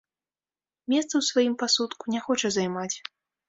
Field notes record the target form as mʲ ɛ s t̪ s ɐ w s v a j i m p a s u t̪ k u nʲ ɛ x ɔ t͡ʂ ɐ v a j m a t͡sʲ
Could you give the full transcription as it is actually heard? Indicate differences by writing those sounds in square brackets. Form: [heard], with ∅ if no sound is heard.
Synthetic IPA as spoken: mʲ ɛ s t̪ s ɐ w s v a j i m p a s u t̪ k u nʲ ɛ x ɔ t͡ʂ ɐ [z] a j m a t͡sʲ

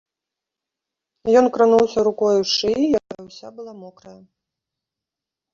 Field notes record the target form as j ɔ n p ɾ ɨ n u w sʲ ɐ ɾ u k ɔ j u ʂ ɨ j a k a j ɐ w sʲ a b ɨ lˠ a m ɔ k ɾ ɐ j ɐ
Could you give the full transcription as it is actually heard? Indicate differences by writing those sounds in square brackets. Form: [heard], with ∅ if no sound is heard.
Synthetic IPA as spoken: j ɔ n [k] ɾ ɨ n u w sʲ ɐ ɾ u k ɔ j u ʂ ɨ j a k a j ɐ w sʲ a b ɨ lˠ a m ɔ k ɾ ɐ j ɐ

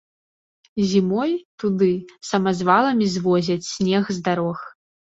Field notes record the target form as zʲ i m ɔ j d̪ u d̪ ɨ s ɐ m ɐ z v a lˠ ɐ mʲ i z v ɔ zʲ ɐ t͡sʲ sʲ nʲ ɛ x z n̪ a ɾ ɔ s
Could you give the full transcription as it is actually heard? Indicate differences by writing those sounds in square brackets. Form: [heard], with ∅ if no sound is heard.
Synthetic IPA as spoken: zʲ i m ɔ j [t̪] u d̪ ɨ s ɐ m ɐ z v a lˠ ɐ mʲ i z v ɔ zʲ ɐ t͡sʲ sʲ nʲ ɛ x z [d̪] a ɾ ɔ [x]

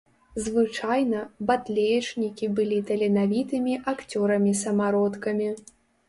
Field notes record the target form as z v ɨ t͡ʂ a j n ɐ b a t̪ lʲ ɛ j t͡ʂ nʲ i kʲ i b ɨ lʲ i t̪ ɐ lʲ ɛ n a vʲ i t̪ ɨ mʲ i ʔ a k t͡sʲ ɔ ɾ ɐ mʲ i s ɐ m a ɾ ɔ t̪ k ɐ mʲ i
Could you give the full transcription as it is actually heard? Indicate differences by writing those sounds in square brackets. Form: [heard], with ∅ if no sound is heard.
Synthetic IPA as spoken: z v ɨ t͡ʂ a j n ɐ b a t̪ lʲ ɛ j t͡ʂ nʲ i kʲ i b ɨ lʲ i t̪ ɐ lʲ ɛ n a vʲ i t̪ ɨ mʲ i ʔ a k t͡sʲ ɔ ɾ ɐ mʲ i s ɐ m a ɾ ɔ t̪ k ɐ mʲ i

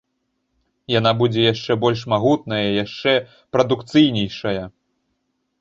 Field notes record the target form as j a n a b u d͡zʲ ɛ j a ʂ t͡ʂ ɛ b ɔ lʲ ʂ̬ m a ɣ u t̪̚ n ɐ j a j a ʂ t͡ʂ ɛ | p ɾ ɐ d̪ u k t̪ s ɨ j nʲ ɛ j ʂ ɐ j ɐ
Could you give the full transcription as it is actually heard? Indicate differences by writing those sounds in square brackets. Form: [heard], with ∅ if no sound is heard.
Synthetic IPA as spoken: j a n a b u d͡zʲ ɛ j a ʂ t͡ʂ ɛ b ɔ lʲ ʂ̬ m a ɣ u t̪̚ n ɐ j [ɐ] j a ʂ t͡ʂ ɛ | p ɾ ɐ d̪ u k t̪ s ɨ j nʲ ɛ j ʂ ɐ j ɐ

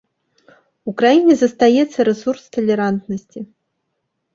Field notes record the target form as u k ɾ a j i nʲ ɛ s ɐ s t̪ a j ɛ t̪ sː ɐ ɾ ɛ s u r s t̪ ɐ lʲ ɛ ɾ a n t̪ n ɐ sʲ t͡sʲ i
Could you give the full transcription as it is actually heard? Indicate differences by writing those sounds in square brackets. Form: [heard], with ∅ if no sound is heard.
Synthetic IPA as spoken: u k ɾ a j i nʲ ɛ [z] ɐ s t̪ a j ɛ t̪ sː ɐ ɾ ɛ s u r s t̪ ɐ lʲ ɛ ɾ a n t̪ n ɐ sʲ t͡sʲ i

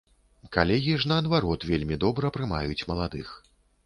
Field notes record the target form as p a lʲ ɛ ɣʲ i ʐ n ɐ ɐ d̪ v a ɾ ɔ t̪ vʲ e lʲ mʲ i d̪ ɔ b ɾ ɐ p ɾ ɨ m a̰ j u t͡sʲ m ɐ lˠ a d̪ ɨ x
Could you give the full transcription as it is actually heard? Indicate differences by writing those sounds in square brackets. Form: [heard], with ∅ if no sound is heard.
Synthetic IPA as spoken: [k] a lʲ ɛ ɣʲ i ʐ n ɐ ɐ d̪ v a ɾ ɔ t̪ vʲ e lʲ mʲ i d̪ ɔ b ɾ ɐ p ɾ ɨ m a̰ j u t͡sʲ m ɐ lˠ a d̪ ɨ x

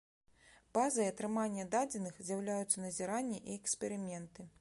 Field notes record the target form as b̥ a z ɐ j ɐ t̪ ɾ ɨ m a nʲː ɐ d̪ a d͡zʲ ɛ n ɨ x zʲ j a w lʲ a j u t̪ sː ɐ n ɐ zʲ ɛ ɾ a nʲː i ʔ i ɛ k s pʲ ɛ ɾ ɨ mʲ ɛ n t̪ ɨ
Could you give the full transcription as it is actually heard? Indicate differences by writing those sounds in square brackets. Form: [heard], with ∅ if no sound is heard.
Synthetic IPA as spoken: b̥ a z ɐ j ɐ t̪ ɾ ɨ m a nʲː ɐ d̪ a d͡zʲ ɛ n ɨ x zʲ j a w lʲ a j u t̪ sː ɐ n ɐ zʲ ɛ ɾ a nʲː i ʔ i ɛ k s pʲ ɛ ɾ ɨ mʲ ɛ n t̪ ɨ

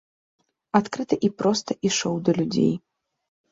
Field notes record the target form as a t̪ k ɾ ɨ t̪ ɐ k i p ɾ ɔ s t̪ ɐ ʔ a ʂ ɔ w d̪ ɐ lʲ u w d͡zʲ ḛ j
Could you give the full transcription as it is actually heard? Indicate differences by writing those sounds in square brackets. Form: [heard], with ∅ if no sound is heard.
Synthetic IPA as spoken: a t̪ k ɾ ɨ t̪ ɐ [ʔ] i p ɾ ɔ s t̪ ɐ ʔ [i] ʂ ɔ w d̪ ɐ lʲ u [∅] d͡zʲ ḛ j

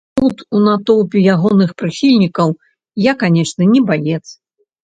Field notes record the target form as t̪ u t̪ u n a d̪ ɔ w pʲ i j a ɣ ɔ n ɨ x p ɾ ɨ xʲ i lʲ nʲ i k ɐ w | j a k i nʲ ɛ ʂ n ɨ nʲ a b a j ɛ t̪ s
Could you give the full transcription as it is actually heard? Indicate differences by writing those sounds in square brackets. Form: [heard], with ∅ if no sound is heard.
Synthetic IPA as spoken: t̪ u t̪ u n a [t̪] ɔ w pʲ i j a ɣ ɔ n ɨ x p ɾ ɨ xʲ i lʲ nʲ i k ɐ w | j a k [a] nʲ ɛ ʂ n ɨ nʲ [ɛ] b a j ɛ t̪ s

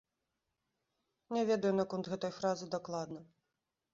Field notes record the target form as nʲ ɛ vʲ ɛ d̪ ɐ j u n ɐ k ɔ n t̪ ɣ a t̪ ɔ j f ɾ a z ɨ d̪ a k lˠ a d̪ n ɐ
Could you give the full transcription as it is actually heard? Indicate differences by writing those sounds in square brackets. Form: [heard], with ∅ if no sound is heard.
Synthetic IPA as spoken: nʲ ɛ vʲ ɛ d̪ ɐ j u n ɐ k ɔ n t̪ ɣ [ɛ] t̪ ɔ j f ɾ a z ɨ d̪ a k lˠ a d̪ n ɐ

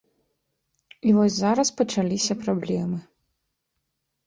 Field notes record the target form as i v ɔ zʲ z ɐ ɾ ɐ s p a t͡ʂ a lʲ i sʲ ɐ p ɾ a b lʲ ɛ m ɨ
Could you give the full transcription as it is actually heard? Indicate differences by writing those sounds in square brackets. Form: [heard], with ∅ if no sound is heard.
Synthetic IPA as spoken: i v ɔ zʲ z [a] ɾ ɐ s p [ɐ] t͡ʂ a lʲ i sʲ ɐ p ɾ a b lʲ ɛ m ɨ

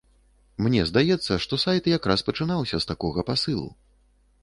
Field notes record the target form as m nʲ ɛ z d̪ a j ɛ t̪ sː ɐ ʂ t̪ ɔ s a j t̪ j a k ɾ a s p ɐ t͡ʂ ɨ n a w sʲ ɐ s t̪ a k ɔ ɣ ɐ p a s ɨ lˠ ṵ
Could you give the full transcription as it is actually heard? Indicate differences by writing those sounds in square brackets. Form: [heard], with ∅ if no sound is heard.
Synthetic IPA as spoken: m nʲ ɛ z d̪ a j ɛ t̪ sː ɐ ʂ t̪ ɔ s a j t̪ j a k ɾ a s p ɐ t͡ʂ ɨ n a w sʲ ɐ s t̪ a k ɔ ɣ ɐ p a s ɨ lˠ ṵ

